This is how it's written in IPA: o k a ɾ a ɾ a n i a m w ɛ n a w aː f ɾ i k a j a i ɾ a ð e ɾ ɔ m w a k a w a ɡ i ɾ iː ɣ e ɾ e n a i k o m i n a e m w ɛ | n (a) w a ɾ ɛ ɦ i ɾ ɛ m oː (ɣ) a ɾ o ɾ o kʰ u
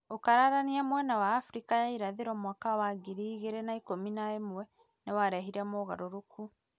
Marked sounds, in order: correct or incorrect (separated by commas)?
incorrect, correct